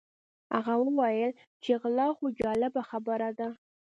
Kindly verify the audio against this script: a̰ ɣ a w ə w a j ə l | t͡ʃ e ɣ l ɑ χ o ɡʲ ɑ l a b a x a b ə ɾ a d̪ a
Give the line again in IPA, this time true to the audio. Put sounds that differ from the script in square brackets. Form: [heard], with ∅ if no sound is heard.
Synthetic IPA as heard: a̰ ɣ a w ə w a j ə l | t͡ʃ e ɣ l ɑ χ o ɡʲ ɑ l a b a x a b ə ɾ a d̪ a